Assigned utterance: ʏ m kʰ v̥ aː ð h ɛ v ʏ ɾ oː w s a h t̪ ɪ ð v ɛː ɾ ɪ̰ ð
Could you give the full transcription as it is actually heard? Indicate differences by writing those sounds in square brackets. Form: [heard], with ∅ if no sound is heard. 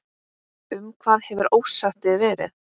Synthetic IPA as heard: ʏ m kʰ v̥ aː ð h ɛ v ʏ ɾ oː w s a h t̪ ɪ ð v ɛː ɾ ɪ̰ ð